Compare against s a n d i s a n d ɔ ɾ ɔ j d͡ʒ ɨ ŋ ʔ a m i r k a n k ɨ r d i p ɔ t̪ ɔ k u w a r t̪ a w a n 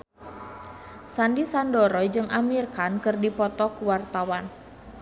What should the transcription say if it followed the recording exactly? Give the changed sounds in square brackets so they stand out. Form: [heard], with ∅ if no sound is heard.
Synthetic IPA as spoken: s a n d i s a n d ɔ ɾ ɔ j d͡ʒ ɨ ŋ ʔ a m i r k a n k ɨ r d i p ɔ t̪ ɔ k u w a r t̪ a w a n